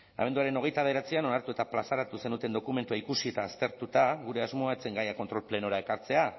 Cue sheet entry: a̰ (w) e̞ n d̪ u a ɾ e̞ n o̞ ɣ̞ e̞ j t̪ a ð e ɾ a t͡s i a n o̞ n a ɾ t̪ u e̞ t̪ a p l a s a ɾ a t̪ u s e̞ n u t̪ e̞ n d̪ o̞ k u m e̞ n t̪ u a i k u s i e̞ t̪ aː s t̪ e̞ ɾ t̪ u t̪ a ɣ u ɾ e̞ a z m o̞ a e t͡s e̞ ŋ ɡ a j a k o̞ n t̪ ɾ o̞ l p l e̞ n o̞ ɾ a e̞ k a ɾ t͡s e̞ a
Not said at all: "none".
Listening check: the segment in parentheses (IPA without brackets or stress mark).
β